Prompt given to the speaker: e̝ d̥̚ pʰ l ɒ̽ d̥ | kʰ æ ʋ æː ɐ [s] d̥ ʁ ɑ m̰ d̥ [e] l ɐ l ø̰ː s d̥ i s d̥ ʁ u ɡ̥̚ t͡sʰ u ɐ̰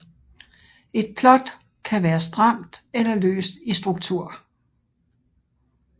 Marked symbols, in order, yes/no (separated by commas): yes, yes